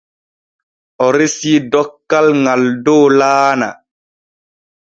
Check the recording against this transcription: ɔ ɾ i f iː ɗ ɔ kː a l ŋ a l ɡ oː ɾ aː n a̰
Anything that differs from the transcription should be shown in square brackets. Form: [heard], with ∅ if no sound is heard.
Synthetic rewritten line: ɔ ɾ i [s] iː [d] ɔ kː a l ŋ a l [d] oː [l] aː n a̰